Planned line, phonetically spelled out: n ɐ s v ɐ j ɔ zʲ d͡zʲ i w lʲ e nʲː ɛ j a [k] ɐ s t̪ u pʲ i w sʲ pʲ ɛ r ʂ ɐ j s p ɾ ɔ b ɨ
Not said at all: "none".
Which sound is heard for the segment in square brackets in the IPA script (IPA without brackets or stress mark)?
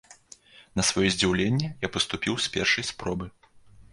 p